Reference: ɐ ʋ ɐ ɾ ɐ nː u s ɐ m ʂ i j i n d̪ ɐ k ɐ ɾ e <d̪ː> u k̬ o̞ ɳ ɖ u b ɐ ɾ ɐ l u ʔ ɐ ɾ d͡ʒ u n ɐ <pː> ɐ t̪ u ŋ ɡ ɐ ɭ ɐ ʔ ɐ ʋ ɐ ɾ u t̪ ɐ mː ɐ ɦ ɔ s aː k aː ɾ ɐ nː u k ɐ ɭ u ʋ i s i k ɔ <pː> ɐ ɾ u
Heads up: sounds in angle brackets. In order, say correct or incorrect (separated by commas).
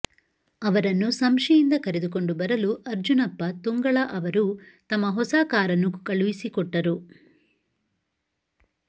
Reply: incorrect, correct, incorrect